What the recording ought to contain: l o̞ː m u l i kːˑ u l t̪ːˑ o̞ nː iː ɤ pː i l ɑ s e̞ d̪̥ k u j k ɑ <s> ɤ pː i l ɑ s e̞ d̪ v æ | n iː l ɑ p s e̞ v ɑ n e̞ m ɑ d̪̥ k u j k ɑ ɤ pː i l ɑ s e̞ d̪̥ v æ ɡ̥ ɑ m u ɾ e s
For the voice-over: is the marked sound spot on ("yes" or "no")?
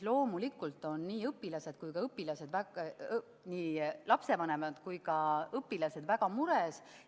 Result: no